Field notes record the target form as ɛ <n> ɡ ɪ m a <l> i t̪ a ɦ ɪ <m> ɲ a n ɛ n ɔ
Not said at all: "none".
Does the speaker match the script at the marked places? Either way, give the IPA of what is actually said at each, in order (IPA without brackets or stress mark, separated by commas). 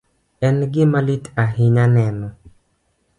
n, l, none